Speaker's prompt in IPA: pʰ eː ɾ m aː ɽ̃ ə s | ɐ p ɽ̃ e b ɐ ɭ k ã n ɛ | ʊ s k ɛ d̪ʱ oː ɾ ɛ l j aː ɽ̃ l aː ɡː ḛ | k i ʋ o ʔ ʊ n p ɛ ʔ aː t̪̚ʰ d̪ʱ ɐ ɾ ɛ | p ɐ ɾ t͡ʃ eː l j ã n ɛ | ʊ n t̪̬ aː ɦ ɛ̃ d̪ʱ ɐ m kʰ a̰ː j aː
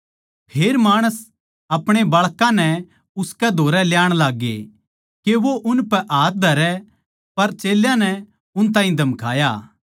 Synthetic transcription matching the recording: pʰ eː ɾ m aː ɽ̃ ə s | ɐ p ɽ̃ e b ɐ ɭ k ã n ɛ | ʊ s k ɛ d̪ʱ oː ɾ ɛ l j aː ɽ̃ l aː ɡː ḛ | k e ʋ o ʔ ʊ n p ɛ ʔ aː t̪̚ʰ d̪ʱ ɐ ɾ ɛ | p ɐ ɾ t͡ʃ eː l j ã n ɛ | ʊ n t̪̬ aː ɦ ĩ d̪ʱ ɐ m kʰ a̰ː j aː

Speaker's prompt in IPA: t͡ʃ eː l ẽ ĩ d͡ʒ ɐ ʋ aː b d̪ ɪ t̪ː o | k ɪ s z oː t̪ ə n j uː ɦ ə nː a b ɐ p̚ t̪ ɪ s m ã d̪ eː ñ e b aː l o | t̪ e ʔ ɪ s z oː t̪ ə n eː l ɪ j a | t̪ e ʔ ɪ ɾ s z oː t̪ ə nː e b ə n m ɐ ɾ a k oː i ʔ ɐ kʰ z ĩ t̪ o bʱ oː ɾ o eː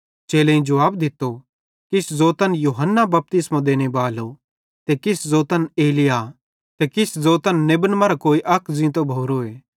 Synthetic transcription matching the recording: t͡ʃ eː l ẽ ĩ d͡ʒ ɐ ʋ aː b d̪ ɪ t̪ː o | k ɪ s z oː t̪ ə n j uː ɦ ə nː a b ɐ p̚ t̪ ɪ s m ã d̪ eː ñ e b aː l o | t̪ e k ɪ s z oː t̪ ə n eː l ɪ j a | t̪ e k ɪ s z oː t̪ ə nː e b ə n m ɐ ɾ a k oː i ʔ ɐ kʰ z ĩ t̪ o bʱ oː ɾ o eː

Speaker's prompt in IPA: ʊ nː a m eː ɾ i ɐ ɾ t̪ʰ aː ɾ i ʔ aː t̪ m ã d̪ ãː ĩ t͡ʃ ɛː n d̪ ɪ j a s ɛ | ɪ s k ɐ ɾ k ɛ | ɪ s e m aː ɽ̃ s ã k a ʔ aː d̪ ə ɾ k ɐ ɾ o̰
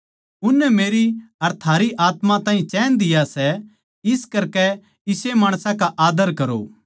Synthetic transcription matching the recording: ʊ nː ɛ m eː ɾ i ɐ ɾ t̪ʰ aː ɾ i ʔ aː t̪ m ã t̪ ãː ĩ t͡ʃ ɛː n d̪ ɪ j a s ɛ | ɪ s k ɐ ɾ k ɛ | ɪ s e m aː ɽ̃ s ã k a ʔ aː d̪ ə ɾ k ɐ ɾ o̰

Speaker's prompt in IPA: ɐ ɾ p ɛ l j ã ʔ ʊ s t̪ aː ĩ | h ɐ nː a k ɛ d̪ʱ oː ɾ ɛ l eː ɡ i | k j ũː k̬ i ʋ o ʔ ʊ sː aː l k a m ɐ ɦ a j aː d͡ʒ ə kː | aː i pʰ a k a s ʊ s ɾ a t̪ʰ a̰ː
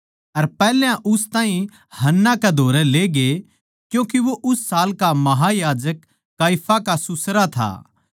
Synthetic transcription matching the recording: ɐ ɾ p ɛː l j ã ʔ ʊ s t̪ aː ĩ | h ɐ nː a k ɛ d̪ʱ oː ɾ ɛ l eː ɡ e | k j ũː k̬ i ʋ o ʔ ʊ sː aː l k a m ɐ ɦ a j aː d͡ʒ ə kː | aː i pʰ a k a s ʊ s ɾ a t̪ʰ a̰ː

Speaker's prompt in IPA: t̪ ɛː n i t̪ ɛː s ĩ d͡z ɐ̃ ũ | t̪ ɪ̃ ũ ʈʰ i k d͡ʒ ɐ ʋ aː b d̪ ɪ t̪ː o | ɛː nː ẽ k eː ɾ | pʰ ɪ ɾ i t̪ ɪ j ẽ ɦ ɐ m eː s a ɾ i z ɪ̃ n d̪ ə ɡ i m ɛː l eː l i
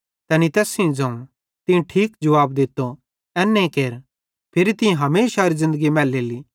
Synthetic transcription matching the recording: t̪ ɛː n i t̪ ɛː s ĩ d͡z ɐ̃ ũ | t̪ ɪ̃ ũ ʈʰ iː k d͡ʒ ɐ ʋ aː b d̪ ɪ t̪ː o | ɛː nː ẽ k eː ɾ | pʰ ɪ ɾ i t̪ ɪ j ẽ ɦ ɐ m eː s a ɾ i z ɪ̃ n d̪ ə ɡ i m ɛː l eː l i

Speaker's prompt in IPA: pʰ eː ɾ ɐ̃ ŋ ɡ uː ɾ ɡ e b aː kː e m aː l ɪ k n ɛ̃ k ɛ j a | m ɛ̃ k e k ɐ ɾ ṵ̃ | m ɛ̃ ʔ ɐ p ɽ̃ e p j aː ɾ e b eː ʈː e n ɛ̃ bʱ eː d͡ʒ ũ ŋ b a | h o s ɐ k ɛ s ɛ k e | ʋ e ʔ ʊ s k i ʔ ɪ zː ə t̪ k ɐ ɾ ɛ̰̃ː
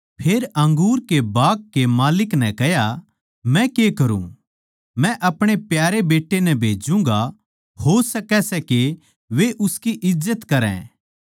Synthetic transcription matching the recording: pʰ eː ɾ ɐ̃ ŋ ɡ uː ɾ k e b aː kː e m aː l ɪ k n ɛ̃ k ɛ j a | m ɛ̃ k e k ɐ ɾ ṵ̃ | m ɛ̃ ʔ ɐ p ɽ̃ e p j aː ɾ e b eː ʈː e n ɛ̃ bʱ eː d͡ʒ ũ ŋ ɡ a | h o s ɐ k ɛ s ɛ k e | ʋ e ʔ ʊ s k i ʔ ɪ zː ə t̪ k ɐ ɾ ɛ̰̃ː

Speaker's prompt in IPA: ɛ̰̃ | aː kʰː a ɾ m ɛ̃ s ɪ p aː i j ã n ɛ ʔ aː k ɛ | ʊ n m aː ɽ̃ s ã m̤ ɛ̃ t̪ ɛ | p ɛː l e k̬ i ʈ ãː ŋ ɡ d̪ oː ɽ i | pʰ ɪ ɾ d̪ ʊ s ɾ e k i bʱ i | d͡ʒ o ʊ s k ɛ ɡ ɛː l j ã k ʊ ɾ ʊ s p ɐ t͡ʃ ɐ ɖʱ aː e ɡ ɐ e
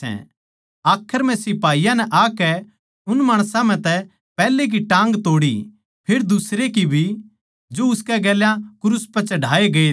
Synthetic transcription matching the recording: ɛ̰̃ | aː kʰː ə ɾ m ɛ̃ s ɪ p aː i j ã n ɛ ʔ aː k ɛ | ʊ n m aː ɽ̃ s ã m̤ ɛ̃ t̪ ɛ | p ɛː l e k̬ i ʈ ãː ŋ ɡ t̪ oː ɽ i | pʰ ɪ ɾ d̪ ʊ s ɾ e k i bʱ i | d͡ʒ o ʊ s k ɛ ɡ ɛː l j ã k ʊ ɾ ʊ s p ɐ t͡ʃ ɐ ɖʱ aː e ɡ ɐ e

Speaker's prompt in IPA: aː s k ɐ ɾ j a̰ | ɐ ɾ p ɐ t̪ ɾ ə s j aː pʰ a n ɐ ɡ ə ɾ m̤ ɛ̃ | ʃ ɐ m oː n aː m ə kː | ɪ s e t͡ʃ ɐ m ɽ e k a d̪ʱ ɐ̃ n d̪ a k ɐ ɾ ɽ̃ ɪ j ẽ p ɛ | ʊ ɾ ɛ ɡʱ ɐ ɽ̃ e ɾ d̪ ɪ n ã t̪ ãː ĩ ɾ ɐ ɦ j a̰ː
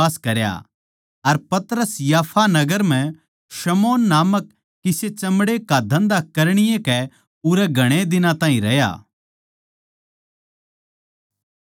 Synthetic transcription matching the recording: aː s k ɐ ɾ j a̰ | ɐ ɾ p ɐ t̪ ɾ ə s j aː pʰ a n ɐ ɡ ə ɾ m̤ ɛ̃ | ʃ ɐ m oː nː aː m ə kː | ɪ s e t͡ʃ ɐ m ɽ e k a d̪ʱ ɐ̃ n d̪ a k ɐ ɾ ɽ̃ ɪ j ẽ k ɛ | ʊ ɾ ɛ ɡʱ ɐ ɽ̃ e d̪ ɪ n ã t̪ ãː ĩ ɾ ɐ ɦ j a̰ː

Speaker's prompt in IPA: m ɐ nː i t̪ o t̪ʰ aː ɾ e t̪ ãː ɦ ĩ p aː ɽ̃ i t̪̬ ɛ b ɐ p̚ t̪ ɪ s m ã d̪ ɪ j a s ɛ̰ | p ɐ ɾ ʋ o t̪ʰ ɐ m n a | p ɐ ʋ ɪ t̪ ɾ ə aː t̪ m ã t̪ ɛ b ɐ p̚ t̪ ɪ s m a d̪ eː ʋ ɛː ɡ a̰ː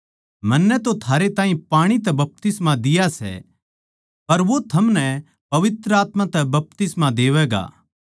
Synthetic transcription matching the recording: m ɐ nː ɛ t̪ o t̪ʰ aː ɾ e t̪ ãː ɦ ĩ p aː ɽ̃ i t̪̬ ɛ b ɐ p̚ t̪ ɪ s m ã d̪ ɪ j a s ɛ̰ | p ɐ ɾ ʋ o t̪ʰ ɐ m n ɛ | p ɐ ʋ ɪ t̪ ɾ ə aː t̪ m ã t̪ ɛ b ɐ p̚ t̪ ɪ s m a d̪ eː ʋ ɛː ɡ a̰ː

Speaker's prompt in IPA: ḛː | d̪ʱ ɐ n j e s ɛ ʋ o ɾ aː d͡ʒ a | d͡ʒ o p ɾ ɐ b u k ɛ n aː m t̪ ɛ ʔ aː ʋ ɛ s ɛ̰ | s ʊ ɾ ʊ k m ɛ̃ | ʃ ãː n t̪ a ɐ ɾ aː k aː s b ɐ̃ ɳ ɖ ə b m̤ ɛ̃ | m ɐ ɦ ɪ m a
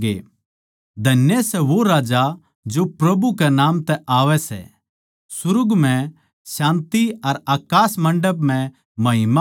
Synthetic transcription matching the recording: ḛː | d̪ʱ ɐ n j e s ɛ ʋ o ɾ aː d͡ʒ a | d͡ʒ o p ɾ ɐ b u k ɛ n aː m t̪ ɛ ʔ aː ʋ ɛ s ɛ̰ | s ʊ ɾ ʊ ɡ m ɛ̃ | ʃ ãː n t̪ i ɐ ɾ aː k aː s m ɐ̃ ɳ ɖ ə b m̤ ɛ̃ | m ɐ ɦ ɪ m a

